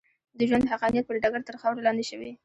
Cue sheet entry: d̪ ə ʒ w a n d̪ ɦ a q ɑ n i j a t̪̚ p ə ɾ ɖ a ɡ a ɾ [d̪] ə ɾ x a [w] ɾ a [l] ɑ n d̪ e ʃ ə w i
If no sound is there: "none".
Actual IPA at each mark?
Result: t̪, w, l

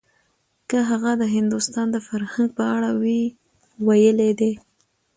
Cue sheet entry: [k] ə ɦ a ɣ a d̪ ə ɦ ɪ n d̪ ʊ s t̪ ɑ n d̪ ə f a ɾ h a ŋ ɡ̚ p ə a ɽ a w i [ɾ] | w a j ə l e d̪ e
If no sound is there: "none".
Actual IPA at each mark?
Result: k, none

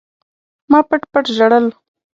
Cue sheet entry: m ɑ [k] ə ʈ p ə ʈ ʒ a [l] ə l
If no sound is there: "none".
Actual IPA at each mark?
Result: p, ɽ

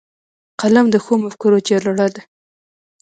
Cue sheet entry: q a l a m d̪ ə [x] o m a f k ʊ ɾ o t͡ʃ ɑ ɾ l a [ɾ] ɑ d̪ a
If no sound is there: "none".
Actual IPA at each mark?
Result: x, ɽ

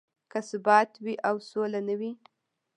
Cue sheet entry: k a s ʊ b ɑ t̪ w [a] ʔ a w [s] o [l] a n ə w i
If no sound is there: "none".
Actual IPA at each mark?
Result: i, s, l

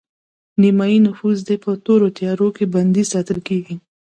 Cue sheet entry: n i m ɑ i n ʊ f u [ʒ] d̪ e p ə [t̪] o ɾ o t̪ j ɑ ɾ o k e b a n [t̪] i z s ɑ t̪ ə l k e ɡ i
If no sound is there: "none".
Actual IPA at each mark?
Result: z, t̪, d̪

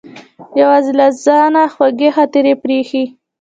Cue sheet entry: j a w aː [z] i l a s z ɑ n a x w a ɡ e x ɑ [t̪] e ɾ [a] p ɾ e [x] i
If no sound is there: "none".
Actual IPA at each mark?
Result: z, t̪, e, x

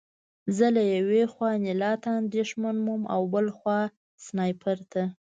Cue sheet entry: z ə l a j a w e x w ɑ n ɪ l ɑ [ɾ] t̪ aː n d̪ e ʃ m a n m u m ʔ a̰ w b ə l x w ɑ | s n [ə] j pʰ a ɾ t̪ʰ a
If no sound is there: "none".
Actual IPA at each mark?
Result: none, ɑ

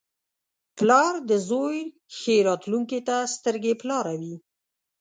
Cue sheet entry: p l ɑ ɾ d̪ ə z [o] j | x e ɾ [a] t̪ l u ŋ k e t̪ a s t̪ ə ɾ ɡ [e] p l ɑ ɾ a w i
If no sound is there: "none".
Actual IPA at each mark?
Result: o, ɑ, e

